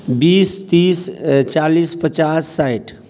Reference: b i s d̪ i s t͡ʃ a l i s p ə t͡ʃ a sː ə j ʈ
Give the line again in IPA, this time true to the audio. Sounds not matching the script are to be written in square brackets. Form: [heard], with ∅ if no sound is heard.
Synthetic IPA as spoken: b i s [t̪] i s t͡ʃ a l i s p ə t͡ʃ a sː [a] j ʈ